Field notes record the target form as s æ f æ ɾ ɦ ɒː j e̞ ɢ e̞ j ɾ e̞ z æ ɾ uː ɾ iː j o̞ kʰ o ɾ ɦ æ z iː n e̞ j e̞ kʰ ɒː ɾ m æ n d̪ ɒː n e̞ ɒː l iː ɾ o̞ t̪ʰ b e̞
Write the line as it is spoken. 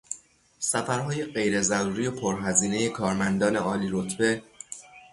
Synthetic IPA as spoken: s æ f æ ɾ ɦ ɒː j e̞ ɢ e̞ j ɾ e̞ z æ ɾ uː ɾ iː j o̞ pʰ o ɾ ɦ æ z iː n e̞ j e̞ kʰ ɒː ɾ m æ n d̪ ɒː n e̞ ɒː l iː ɾ o̞ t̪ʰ b e̞